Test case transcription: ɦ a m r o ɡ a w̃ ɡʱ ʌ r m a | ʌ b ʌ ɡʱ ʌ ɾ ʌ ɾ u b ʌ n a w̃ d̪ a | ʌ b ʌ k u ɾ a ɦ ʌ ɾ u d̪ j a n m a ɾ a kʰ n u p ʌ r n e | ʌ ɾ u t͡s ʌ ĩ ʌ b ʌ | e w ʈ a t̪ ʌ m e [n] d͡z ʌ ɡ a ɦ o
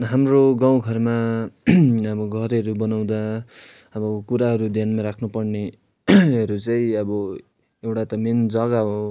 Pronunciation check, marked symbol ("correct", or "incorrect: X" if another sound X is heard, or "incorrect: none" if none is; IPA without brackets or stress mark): correct